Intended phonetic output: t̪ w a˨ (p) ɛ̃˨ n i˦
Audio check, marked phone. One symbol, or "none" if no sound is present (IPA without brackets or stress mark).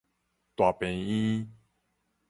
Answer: p